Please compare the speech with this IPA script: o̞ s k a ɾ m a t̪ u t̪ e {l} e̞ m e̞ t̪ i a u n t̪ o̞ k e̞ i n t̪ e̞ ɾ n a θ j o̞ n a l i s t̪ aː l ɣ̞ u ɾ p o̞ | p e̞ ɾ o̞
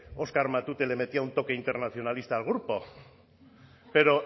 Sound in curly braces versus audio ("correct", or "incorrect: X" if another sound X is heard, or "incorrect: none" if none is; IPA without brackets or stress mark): correct